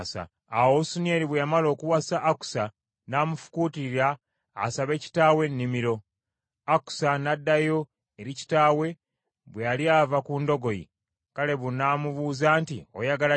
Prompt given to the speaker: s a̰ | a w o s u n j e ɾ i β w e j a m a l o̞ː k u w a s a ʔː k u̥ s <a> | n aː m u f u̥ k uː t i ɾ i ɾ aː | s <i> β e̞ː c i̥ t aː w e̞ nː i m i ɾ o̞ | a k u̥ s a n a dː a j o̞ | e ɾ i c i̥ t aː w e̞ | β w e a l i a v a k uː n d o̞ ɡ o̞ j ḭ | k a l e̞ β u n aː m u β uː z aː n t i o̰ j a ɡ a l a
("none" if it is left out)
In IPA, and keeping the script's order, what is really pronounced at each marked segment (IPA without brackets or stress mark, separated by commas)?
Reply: a, a